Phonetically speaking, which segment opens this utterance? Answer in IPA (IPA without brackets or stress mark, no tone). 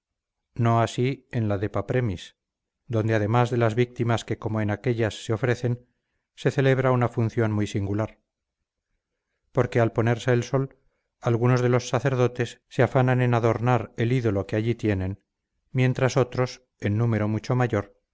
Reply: n